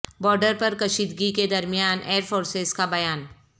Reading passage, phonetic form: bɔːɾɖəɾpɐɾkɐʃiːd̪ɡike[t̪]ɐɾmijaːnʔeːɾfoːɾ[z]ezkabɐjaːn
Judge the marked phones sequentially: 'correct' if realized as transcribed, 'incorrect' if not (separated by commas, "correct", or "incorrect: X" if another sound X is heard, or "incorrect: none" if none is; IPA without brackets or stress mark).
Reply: incorrect: d̪, incorrect: s